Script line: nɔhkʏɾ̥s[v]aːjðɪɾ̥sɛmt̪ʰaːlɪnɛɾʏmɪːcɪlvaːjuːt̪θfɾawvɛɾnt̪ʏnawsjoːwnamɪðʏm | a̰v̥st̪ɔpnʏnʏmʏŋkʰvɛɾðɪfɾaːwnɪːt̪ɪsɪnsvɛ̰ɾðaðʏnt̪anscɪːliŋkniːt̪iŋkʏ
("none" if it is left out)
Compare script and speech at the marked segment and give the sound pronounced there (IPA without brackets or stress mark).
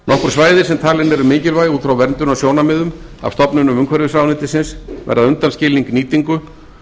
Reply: v